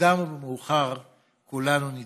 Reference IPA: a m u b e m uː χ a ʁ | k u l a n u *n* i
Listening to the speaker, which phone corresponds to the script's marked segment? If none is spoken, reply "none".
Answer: n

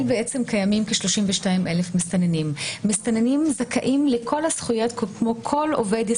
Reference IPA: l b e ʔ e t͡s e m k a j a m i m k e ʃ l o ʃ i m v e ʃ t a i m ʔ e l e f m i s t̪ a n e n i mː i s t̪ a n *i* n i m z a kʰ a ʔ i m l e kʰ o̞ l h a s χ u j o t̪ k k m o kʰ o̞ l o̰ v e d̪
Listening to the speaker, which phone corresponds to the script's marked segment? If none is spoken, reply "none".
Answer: e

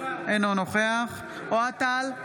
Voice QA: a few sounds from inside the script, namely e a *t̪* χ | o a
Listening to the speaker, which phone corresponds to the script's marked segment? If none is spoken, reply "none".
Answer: none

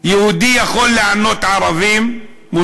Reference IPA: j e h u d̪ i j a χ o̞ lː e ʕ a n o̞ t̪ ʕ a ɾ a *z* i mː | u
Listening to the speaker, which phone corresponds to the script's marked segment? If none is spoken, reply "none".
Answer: v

